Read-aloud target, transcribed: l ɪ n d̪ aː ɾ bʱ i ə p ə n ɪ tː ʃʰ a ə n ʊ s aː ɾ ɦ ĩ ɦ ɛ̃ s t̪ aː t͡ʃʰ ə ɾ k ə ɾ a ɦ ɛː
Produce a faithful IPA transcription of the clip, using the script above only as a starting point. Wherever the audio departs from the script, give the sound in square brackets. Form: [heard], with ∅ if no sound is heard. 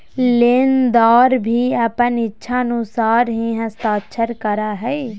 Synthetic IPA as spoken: l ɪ n d̪ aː ɾ bʱ i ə p ə n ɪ tː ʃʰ a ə n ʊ s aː ɾ ɦ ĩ ɦ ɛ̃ s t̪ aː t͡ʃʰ ə ɾ k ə ɾ a ɦ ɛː